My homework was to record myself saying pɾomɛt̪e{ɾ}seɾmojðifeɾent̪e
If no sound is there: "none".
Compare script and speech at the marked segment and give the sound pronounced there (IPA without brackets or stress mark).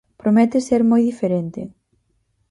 none